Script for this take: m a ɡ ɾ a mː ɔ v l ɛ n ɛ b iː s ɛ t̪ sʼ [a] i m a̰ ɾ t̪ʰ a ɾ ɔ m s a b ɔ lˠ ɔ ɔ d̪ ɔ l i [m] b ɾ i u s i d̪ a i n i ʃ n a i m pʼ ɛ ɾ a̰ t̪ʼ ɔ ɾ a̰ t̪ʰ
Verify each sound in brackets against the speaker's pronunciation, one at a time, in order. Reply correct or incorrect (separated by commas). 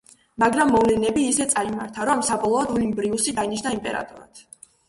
correct, correct